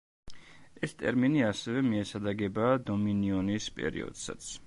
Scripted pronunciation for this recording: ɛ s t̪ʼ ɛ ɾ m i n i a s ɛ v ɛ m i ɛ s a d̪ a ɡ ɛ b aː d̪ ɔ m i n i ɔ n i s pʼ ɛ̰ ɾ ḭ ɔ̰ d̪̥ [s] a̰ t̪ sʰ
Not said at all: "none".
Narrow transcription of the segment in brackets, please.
s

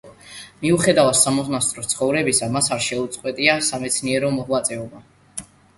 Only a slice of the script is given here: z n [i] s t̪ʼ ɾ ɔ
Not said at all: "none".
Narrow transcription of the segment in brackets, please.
a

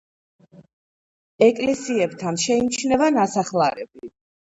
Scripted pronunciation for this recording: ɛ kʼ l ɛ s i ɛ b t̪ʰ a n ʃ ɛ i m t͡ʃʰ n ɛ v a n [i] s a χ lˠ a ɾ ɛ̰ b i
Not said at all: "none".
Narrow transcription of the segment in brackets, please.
a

